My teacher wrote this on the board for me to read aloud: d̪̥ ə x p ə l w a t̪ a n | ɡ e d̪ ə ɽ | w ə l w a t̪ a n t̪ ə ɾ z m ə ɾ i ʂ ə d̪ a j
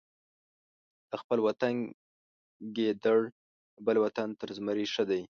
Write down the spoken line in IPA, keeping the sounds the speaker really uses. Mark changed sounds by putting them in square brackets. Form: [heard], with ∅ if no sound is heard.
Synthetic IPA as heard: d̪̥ ə x p ə l w a t̪ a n | ɡ e d̪ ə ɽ | [b] ə l w a t̪ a n t̪ ə ɾ z m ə ɾ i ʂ ə d̪ a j